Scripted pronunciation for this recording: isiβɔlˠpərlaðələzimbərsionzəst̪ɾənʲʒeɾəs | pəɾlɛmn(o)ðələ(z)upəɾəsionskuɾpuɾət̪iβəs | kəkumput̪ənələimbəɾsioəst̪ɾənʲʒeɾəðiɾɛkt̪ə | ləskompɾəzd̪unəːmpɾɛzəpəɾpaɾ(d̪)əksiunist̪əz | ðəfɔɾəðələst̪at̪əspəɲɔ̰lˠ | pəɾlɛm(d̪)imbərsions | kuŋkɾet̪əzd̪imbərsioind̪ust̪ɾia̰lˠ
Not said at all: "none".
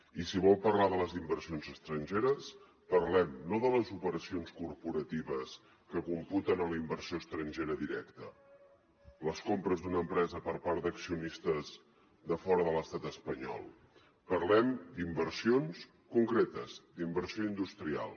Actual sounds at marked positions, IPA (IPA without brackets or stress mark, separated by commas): o, z, d̪, d̪